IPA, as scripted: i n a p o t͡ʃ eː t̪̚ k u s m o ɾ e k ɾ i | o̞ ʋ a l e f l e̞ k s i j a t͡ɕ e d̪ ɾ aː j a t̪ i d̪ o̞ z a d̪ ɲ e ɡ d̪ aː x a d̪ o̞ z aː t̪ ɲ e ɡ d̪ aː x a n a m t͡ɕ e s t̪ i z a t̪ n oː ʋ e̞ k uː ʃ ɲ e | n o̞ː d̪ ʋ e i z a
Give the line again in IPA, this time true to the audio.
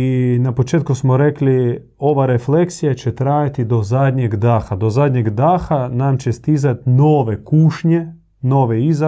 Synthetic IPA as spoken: i n a p o t͡ʃ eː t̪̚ k u s m o ɾ e k l i | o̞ ʋ a ɾ e f l e̞ k s i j a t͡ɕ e t̪ ɾ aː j a t̪ i d̪ o̞ z a d̪ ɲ e ɡ d̪ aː x a d̪ o̞ z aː d̪ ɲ e ɡ d̪ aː x a n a m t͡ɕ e s t̪ i z a t̪ n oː ʋ e̞ k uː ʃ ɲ e | n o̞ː ʋ e i z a